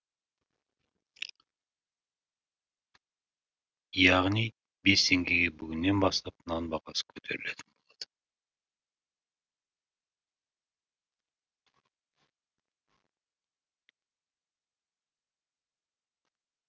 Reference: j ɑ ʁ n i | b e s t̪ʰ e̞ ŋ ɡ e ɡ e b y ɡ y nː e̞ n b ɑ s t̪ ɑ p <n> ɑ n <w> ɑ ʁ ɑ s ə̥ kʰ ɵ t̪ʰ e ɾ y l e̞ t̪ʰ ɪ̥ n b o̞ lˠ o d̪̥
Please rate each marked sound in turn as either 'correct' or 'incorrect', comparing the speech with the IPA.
correct, incorrect: b

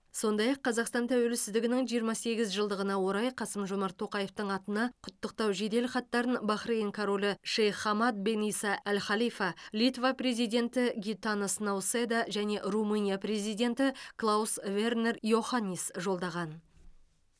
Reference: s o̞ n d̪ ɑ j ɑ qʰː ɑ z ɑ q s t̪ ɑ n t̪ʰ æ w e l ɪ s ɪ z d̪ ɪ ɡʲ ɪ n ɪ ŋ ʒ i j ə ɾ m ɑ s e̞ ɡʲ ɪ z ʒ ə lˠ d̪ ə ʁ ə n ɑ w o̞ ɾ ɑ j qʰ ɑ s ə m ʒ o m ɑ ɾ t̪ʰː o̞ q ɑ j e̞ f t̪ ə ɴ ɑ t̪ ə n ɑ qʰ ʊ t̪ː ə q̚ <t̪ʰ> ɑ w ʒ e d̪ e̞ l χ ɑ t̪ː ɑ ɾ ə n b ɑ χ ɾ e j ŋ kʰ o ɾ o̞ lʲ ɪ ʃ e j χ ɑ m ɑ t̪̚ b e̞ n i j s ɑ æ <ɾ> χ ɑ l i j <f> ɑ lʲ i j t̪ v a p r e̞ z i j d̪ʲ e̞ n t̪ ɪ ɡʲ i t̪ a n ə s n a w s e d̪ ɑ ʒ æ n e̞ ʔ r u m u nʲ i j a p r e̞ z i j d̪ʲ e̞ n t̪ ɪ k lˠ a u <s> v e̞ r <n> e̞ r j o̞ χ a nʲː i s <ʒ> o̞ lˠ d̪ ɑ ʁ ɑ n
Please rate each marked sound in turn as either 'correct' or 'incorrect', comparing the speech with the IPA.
incorrect: t̪, incorrect: l, correct, correct, correct, correct

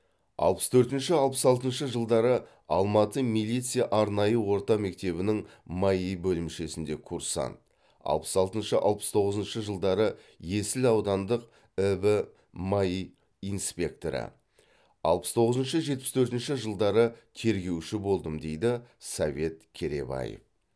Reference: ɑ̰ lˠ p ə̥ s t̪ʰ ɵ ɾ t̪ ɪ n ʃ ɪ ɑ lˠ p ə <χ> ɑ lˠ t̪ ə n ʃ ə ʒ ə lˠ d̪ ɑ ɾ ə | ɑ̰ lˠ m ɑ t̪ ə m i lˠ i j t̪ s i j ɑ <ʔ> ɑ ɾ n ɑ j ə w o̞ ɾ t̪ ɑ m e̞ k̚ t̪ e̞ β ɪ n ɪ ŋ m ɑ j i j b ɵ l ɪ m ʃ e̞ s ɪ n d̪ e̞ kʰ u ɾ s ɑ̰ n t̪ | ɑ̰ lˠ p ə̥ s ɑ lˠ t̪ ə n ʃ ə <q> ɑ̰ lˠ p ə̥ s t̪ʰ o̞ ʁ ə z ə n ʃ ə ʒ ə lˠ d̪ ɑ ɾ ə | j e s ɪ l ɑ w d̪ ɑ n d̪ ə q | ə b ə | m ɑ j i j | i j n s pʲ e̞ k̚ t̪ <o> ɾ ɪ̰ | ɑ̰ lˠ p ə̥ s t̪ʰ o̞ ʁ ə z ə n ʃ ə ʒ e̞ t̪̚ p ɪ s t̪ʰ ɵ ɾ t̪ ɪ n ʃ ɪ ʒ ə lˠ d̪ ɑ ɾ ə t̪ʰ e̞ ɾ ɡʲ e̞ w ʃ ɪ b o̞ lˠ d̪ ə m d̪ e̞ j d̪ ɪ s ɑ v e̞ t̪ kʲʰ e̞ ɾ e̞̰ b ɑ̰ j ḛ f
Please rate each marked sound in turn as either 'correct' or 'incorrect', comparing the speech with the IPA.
incorrect: s, correct, incorrect: ʔ, correct

